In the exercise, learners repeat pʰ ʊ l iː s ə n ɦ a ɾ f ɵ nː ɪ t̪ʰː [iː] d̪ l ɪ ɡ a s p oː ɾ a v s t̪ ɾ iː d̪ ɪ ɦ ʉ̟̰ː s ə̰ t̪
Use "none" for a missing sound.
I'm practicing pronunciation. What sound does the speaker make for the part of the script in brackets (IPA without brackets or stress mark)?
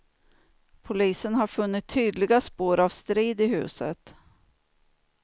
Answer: yː